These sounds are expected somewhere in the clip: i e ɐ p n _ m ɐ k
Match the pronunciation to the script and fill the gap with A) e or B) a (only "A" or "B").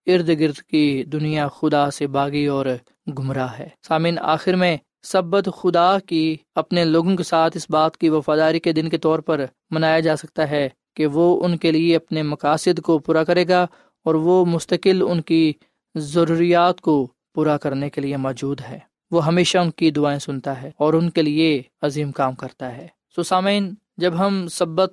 A